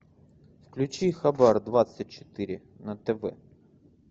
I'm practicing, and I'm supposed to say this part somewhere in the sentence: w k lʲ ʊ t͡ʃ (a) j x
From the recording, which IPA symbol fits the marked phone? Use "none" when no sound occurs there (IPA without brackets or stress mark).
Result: i